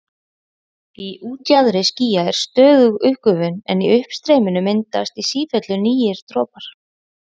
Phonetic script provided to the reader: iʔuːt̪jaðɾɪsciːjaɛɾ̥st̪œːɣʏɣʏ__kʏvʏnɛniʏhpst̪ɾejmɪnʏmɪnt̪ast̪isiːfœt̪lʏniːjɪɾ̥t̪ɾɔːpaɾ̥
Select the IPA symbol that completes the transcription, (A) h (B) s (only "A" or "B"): A